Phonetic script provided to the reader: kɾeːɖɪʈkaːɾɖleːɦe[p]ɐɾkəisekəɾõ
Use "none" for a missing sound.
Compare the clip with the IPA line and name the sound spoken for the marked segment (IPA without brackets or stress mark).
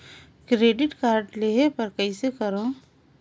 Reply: p